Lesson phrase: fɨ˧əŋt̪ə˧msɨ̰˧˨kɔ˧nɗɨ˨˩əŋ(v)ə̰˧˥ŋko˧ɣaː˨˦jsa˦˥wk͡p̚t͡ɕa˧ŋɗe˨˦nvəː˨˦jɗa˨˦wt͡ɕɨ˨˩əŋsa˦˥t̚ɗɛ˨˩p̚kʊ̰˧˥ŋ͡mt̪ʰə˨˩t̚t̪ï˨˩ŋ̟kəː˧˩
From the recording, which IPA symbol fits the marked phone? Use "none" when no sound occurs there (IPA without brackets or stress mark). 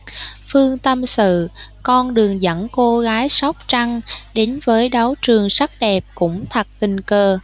z